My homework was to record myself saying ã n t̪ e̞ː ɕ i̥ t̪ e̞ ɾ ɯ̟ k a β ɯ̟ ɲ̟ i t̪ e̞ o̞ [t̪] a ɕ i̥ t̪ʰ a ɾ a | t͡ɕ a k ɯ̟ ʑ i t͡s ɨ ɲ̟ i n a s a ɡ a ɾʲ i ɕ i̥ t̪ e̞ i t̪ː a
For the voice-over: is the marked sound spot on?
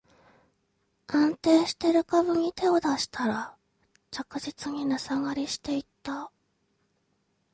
no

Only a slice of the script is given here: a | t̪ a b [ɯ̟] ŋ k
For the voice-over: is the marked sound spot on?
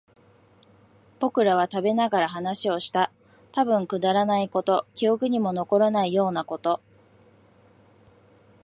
no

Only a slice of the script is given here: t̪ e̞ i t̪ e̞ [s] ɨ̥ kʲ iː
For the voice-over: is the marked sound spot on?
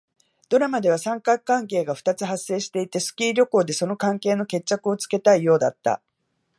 yes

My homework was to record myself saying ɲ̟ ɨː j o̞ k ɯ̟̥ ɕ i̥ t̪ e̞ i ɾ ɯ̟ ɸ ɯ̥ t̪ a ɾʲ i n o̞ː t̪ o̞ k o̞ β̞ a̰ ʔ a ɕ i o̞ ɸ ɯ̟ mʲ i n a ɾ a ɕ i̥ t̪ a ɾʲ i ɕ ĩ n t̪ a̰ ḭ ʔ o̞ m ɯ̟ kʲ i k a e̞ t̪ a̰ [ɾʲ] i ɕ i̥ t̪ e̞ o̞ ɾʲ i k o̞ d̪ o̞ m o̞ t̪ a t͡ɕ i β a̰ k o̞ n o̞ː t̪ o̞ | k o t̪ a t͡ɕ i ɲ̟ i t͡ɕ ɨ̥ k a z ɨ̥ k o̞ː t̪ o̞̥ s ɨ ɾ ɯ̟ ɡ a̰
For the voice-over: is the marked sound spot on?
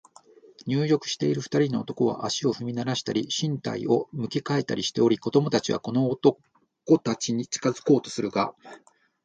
yes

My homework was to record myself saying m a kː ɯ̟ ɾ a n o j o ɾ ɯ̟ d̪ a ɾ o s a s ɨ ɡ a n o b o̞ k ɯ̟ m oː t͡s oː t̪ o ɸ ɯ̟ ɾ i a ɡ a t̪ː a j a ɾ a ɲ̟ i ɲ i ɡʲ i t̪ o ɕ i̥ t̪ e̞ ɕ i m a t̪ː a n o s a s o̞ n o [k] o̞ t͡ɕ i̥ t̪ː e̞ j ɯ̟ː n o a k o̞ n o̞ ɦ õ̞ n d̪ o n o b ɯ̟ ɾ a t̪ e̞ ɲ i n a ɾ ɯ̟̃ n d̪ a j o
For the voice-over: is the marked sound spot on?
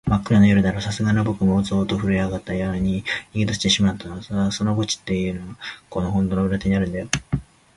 no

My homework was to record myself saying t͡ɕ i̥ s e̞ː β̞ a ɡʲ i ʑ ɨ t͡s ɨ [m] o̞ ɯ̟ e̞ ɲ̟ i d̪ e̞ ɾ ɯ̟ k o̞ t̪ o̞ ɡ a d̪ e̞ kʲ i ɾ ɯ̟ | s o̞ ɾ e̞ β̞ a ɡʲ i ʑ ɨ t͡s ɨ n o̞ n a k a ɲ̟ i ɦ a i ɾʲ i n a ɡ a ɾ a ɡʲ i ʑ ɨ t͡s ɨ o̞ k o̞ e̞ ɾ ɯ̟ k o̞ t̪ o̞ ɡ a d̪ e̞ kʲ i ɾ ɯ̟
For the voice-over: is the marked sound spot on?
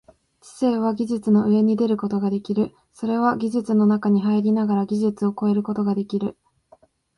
no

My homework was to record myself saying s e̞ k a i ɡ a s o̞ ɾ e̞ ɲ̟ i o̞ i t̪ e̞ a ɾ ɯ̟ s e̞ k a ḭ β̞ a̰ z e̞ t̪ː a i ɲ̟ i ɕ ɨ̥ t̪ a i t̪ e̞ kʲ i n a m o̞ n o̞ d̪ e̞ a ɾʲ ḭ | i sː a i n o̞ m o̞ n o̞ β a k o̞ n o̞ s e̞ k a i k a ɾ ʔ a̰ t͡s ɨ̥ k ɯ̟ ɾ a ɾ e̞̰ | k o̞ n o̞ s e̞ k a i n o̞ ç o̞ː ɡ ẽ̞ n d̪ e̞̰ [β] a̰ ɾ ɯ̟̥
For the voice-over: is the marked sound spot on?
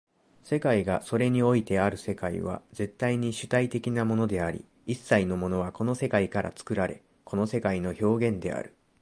no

